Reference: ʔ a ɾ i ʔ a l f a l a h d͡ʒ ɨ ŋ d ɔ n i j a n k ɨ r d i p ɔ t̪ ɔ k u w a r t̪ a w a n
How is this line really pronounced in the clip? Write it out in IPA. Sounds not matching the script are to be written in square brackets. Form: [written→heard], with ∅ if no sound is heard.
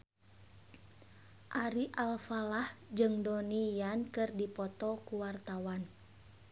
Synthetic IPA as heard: ʔ a ɾ i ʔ a l f a l a h d͡ʒ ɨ ŋ d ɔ n i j a n k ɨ r d i p ɔ t̪ ɔ k u w a r t̪ a w a n